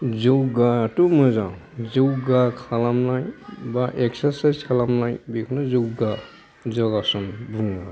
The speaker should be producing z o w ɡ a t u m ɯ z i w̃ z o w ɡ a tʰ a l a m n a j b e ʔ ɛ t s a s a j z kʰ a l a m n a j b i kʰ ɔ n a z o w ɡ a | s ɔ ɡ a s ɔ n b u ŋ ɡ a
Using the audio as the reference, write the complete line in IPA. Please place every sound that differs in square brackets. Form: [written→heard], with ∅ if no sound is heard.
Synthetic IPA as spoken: z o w ɡ a t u m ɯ z [i→a] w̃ z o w ɡ a [tʰ→kʰ] a l a m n a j b [e→a] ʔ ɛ [t→k] s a s a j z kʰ a l a m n a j b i kʰ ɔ n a z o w ɡ a | [s→z] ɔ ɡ a s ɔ n b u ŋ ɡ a